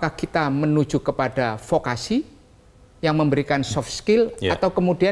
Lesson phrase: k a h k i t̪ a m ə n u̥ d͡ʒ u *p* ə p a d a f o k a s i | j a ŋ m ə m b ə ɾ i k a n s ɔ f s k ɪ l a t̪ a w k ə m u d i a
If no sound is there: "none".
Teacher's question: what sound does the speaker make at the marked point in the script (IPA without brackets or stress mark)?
k